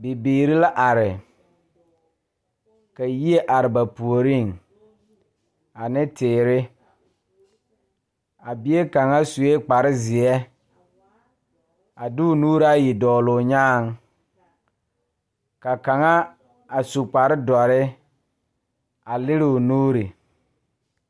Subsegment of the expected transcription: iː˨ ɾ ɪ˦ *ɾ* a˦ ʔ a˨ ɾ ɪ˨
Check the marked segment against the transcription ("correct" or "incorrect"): incorrect